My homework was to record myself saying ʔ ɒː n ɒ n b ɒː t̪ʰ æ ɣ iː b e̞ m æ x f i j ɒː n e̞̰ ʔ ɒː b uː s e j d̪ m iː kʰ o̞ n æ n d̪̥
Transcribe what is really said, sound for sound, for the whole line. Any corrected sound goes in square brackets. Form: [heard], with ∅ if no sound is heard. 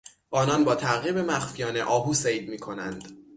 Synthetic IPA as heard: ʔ ɒː n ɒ n b ɒː t̪ʰ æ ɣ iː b e̞ m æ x f i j ɒː n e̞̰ ʔ ɒː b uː s e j d̪ m iː kʰ o̞ n æ n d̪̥